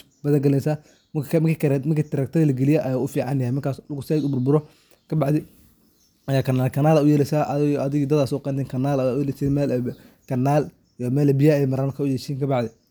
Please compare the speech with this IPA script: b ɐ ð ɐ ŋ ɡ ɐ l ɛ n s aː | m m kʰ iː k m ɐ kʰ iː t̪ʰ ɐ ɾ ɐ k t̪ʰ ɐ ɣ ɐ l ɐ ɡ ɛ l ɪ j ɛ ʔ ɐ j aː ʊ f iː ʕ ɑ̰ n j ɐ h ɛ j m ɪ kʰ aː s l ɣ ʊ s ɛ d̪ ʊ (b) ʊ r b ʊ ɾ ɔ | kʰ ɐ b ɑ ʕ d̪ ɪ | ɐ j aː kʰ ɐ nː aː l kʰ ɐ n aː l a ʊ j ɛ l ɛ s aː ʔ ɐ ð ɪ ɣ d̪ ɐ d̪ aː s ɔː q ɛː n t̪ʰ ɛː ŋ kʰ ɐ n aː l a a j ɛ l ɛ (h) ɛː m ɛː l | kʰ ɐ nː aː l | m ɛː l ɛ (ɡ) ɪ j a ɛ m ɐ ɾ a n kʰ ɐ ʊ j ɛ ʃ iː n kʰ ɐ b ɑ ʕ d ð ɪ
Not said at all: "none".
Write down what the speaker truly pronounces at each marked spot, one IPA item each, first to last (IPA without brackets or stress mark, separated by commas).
b, s, b